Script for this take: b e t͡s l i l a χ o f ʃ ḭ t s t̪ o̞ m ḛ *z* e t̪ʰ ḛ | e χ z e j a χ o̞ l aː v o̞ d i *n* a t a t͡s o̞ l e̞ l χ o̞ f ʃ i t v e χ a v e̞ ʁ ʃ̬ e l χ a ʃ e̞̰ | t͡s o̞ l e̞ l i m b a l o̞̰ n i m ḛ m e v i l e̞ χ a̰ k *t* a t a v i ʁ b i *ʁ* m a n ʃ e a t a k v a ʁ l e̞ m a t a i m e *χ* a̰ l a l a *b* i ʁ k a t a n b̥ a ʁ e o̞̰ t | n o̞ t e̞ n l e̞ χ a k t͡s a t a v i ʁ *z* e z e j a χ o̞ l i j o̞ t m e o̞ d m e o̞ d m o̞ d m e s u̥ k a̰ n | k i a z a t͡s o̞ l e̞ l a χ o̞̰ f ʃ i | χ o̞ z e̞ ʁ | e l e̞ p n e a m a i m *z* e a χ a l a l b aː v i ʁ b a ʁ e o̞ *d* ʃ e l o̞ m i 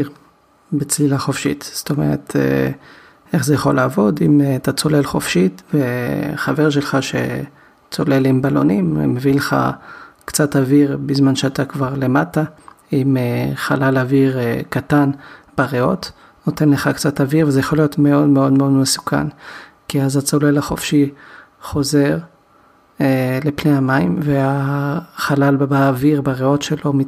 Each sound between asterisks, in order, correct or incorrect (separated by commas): incorrect, incorrect, incorrect, incorrect, correct, incorrect, incorrect, incorrect, incorrect